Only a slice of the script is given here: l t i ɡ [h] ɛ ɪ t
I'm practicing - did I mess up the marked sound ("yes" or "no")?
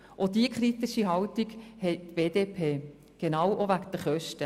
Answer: no